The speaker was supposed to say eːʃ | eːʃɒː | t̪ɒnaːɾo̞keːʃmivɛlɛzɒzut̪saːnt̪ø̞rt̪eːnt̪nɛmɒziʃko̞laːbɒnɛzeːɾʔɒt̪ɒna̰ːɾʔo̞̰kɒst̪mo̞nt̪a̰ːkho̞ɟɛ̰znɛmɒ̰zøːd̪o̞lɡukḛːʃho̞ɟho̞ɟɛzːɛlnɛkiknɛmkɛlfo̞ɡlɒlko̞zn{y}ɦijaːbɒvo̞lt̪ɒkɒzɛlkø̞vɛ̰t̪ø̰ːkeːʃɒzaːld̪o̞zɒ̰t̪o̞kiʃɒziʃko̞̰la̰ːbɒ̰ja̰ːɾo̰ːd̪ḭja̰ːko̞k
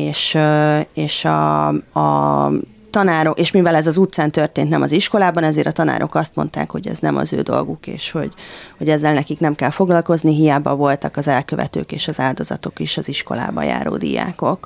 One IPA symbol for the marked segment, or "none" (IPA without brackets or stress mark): i